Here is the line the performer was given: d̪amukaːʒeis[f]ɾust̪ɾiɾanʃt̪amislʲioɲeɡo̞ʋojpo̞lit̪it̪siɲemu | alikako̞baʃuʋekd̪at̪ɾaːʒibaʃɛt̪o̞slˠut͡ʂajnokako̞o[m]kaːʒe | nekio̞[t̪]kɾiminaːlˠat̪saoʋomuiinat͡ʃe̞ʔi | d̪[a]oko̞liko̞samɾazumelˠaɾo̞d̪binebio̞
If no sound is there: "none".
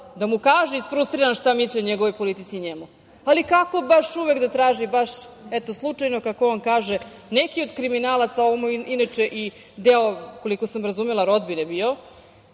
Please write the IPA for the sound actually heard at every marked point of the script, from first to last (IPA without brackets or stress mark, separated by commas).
f, n, d̪, e